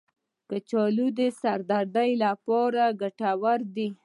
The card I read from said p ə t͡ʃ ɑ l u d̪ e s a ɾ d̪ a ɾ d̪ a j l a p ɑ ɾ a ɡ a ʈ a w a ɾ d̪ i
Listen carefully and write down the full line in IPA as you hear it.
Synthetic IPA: k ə t͡ʃ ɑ l u d̪ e s a ɾ d̪ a ɾ d̪ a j l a p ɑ ɾ a ɡ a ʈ a w a ɾ d̪ i